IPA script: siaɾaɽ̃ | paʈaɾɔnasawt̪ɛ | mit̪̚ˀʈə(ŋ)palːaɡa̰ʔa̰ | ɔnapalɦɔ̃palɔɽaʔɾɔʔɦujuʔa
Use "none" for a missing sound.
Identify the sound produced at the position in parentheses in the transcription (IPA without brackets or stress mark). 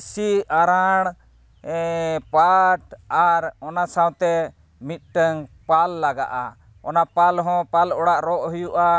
ŋ